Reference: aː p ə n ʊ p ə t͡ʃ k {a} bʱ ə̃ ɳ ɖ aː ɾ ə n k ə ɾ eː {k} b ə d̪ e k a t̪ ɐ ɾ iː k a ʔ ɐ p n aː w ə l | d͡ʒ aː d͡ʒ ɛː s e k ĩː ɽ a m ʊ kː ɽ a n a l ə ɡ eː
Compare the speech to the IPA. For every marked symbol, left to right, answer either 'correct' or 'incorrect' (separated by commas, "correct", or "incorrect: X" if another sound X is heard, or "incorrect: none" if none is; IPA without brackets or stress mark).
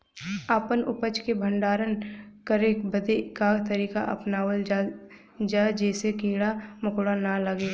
incorrect: e, correct